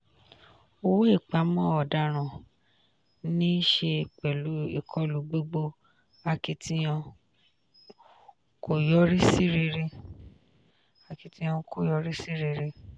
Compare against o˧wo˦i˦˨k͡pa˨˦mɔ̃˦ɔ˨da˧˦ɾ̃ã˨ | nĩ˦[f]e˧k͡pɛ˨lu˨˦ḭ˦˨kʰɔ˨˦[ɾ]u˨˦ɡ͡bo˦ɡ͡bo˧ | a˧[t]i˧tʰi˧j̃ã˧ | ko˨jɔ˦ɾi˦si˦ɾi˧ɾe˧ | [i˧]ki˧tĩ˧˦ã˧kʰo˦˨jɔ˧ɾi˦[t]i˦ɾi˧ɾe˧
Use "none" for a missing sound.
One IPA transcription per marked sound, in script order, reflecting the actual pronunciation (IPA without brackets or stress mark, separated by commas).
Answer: ʃ, l, k, a˧, s